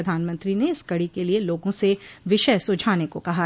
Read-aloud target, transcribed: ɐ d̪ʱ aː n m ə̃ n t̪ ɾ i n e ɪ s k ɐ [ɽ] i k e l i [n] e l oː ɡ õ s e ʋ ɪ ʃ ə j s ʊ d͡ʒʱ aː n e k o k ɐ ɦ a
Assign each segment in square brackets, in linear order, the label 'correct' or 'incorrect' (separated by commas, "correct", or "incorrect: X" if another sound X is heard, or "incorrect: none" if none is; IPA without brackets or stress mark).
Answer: correct, incorrect: none